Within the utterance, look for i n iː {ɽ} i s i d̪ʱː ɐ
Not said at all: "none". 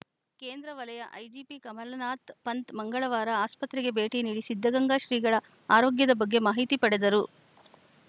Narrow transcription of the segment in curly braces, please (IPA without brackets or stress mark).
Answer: ɽ